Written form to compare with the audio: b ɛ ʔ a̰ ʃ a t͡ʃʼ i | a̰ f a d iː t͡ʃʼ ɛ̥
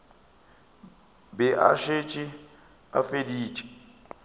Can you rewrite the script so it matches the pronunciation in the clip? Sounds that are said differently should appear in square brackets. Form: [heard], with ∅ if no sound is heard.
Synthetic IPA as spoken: b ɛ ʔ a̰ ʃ [e] t͡ʃʼ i | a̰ f [e] d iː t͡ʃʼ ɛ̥